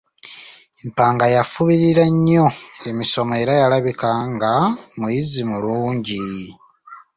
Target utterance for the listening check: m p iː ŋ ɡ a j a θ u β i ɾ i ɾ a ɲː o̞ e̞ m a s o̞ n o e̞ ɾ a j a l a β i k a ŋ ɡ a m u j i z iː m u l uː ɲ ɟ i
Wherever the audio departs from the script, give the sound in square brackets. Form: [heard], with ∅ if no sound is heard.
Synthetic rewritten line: m p [aː] ŋ ɡ a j a [f] u β i ɾ i ɾ a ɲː o̞ e̞ m [i] s o̞ [m] o e̞ ɾ a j a l a β i k a ŋ ɡ a m u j i z [i] m u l uː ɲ ɟ i

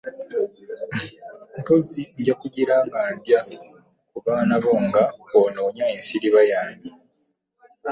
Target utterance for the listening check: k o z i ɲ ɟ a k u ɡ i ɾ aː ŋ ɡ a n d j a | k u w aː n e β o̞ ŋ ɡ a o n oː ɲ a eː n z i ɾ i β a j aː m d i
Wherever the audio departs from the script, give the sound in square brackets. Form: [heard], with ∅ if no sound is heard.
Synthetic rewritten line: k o z i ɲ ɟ a k u [ɟ] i ɾ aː ŋ ɡ a n d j a | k u [β] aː n [a] β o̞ ŋ ɡ a o n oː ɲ a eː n [s] i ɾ i β a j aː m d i

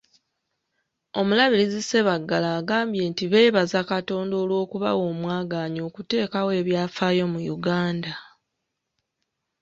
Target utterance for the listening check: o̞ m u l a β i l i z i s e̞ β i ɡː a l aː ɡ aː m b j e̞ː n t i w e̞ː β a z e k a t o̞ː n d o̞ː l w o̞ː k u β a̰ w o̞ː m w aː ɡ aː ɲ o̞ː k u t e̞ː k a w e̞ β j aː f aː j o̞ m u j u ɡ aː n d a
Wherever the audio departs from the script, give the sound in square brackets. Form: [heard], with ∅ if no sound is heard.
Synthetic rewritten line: o̞ m u l a β i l i z i s e̞ β [a] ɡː a l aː ɡ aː m b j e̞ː n t i [β] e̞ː β a z [a] k a t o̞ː n d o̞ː l w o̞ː k u β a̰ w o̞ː m w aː ɡ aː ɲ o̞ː k u t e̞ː k a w e̞ β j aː f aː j o̞ m u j u ɡ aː n d a

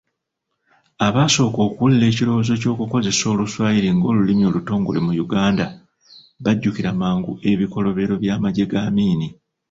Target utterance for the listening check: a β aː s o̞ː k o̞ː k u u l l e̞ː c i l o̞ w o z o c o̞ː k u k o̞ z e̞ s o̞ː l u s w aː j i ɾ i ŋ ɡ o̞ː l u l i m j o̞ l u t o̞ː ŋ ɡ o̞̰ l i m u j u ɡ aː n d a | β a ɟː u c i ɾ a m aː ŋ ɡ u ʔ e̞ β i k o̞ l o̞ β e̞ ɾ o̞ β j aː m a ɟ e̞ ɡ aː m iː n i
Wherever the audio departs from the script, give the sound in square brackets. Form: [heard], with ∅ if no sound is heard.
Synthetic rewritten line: a β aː s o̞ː k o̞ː k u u l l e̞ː c i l o̞ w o z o c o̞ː k u k o̞ z e̞ s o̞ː l u s w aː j i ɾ i ŋ ɡ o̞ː l u l i m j o̞ l u t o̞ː ŋ ɡ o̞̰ l i m u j u ɡ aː n d a | β a ɟː u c i ɾ a m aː ŋ ɡ u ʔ e̞ β i k o̞ l o̞ β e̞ ɾ o̞ β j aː m a ɟ e̞ ɡ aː m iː n i

